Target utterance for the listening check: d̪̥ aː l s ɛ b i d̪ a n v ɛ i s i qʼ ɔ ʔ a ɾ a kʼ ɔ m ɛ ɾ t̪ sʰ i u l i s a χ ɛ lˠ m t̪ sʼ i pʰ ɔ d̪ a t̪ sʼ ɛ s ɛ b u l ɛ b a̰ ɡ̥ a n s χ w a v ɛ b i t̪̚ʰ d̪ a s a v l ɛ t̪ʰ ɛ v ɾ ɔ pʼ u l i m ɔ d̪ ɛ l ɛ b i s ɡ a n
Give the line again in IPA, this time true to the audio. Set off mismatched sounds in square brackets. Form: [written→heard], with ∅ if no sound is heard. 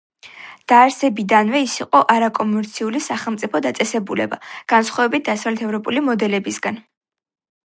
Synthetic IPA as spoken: d̪̥ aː [l→ɾ] s ɛ b i d̪ a n v ɛ i s i qʼ ɔ ʔ a ɾ a kʼ ɔ m ɛ ɾ t̪ sʰ i u l i s a χ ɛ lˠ m t̪ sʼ i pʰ ɔ d̪ a t̪ sʼ ɛ s ɛ b u l ɛ b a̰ ɡ̥ a n s χ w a v ɛ b i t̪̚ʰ d̪ a s a v l ɛ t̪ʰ ɛ v ɾ ɔ pʼ u l i m ɔ d̪ ɛ l ɛ b i s ɡ a n